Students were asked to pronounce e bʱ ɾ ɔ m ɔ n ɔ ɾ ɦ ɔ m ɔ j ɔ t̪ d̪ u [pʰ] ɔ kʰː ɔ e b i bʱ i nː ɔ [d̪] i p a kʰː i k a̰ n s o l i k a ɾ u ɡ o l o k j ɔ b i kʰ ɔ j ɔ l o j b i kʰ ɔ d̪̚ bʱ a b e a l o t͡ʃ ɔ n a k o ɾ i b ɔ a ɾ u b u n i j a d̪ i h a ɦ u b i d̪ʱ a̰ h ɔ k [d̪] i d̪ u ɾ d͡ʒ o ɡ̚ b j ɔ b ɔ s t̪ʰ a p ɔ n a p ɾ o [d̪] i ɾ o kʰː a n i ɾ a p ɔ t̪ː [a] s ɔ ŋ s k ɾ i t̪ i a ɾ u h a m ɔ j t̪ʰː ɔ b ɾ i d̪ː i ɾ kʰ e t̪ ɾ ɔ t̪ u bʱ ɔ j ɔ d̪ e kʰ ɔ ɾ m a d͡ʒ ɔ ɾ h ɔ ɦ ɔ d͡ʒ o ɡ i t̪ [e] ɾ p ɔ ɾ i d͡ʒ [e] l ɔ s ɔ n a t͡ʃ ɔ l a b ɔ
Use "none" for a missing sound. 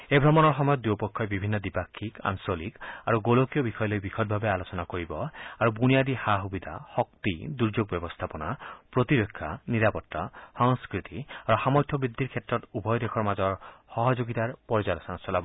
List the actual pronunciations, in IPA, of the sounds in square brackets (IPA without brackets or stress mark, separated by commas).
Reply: p, d̪, t̪, t̪, a, a, a